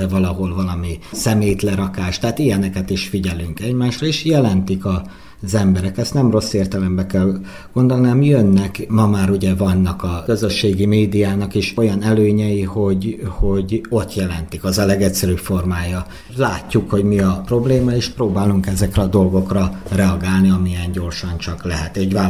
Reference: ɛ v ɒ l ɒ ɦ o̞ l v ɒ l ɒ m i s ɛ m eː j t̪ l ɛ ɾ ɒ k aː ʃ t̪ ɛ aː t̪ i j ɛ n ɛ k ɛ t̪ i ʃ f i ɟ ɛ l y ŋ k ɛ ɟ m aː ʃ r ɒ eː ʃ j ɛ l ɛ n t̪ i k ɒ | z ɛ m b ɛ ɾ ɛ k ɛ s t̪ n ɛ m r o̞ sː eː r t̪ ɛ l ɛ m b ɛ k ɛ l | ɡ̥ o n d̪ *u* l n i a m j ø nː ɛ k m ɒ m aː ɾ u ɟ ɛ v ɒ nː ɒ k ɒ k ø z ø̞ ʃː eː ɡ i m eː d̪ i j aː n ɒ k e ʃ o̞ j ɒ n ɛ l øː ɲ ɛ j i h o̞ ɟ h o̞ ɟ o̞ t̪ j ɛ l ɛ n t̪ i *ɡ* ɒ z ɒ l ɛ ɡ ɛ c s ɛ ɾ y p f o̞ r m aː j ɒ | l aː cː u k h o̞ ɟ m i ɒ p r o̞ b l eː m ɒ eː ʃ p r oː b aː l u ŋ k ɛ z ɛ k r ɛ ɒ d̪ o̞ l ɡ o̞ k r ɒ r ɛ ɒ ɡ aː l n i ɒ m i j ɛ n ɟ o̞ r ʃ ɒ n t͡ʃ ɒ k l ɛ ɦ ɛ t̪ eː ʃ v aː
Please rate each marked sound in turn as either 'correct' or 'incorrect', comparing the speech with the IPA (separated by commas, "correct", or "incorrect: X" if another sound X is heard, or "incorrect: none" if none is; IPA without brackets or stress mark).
incorrect: o, incorrect: k